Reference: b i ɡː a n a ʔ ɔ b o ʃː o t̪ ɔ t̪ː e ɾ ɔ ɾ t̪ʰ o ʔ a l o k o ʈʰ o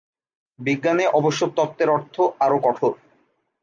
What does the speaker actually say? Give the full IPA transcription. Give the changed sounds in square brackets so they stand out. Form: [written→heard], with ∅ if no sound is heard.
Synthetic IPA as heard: b i ɡː a n [a→e] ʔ ɔ b o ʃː o t̪ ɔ t̪ː e ɾ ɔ ɾ t̪ʰ o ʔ a [l→ɾ] o k [o→ɔ] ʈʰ o